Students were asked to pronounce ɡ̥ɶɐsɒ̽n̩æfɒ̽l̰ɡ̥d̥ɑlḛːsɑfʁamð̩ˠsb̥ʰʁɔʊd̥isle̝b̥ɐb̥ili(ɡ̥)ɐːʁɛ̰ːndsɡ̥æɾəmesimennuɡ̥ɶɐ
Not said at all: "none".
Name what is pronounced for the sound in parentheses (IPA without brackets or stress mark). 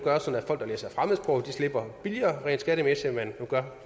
none